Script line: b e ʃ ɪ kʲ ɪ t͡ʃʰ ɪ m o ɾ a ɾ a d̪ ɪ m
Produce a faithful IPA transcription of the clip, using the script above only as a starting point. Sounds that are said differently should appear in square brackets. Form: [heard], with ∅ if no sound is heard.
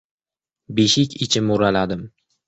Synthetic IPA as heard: b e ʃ ɪ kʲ ɪ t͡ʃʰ ɪ m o ɾ a [l] a d̪ ɪ m